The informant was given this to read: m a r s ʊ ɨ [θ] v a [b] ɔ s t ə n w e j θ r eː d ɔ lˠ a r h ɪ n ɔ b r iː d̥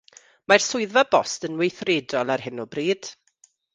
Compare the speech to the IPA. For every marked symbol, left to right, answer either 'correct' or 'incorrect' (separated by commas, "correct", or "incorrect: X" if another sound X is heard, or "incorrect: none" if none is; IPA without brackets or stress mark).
incorrect: ð, correct